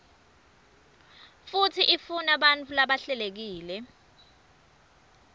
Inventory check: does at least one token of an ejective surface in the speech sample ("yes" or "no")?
no